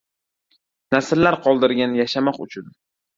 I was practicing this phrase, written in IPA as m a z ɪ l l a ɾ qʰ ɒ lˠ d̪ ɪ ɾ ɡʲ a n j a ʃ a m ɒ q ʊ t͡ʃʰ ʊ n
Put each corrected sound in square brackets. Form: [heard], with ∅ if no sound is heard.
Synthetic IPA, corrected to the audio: [n] a [s] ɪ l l a ɾ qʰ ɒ lˠ d̪ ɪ ɾ ɡʲ a n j a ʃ a m ɒ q ʊ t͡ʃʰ ʊ n